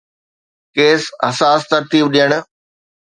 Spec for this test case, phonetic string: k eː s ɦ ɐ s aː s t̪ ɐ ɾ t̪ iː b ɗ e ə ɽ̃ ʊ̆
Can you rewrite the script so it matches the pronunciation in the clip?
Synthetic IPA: k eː s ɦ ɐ s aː s t̪ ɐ ɾ t̪ iː b ɗ i ə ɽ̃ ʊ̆